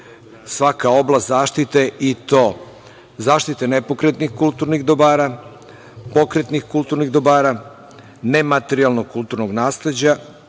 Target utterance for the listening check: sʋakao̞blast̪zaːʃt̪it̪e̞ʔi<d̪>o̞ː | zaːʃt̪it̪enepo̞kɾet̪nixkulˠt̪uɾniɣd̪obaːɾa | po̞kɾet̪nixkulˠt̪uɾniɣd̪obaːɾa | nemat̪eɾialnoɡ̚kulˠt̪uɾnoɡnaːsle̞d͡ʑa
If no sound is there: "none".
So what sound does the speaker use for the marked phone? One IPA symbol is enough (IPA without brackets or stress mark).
t̪